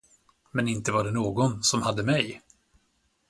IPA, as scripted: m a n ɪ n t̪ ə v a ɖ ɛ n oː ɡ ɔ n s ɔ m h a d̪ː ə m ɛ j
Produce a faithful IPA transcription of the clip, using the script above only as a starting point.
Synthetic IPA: m ɛ n ɪ n t̪ ə v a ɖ ɛ n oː ɡ ɔ n s ɔ m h a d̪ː ə m ɛ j